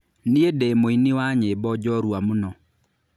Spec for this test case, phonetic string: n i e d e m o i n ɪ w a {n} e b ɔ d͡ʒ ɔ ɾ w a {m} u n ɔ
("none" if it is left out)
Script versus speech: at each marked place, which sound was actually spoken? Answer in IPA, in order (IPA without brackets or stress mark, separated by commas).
ɲ, m